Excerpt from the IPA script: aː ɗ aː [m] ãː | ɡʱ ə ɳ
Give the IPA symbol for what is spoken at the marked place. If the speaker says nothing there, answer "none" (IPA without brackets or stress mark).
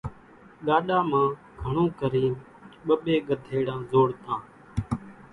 m